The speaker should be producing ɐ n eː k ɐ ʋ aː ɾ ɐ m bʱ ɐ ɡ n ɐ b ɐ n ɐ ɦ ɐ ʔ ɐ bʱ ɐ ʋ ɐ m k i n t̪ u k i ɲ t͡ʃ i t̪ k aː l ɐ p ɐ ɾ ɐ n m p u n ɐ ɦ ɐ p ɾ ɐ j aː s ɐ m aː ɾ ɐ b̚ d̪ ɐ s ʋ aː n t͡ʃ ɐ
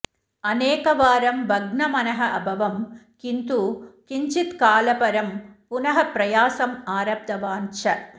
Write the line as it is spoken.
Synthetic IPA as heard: ɐ n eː k ɐ ʋ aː ɾ ɐ m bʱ ɐ ɡ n ɐ m ɐ n ɐ ɦ ɐ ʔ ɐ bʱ ɐ ʋ ɐ m k i n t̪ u k i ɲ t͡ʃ i t̪ k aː l ɐ p ɐ ɾ ɐ m p u n ɐ ɦ ɐ p ɾ ɐ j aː s ɐ m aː ɾ ɐ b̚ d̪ ɐ ʋ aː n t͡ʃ ɐ